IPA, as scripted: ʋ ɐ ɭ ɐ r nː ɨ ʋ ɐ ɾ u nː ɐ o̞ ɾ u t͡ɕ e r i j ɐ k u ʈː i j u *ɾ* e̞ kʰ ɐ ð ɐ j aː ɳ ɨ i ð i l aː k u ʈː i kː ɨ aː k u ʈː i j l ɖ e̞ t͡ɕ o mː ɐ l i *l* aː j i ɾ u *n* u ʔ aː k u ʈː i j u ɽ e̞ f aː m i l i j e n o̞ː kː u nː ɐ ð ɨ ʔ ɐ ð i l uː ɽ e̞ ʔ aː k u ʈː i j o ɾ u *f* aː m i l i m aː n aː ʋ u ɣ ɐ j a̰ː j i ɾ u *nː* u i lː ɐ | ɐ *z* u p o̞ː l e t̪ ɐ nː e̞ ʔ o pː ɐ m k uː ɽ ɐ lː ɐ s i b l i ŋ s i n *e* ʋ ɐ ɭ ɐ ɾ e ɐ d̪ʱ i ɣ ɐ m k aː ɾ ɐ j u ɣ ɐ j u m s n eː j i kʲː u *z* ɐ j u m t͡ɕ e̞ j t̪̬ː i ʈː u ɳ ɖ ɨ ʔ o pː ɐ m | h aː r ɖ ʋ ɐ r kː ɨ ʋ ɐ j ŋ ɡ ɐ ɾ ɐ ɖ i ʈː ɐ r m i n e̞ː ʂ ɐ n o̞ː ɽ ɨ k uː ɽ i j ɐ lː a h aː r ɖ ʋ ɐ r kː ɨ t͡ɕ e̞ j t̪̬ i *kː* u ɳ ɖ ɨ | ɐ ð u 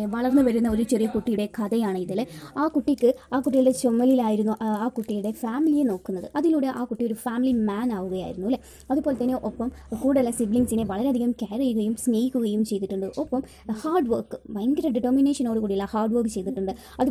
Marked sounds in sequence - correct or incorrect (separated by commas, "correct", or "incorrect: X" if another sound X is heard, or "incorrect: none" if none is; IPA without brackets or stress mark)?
incorrect: ɽ, correct, incorrect: nː, correct, correct, incorrect: ð, correct, incorrect: ɣ, incorrect: ʈː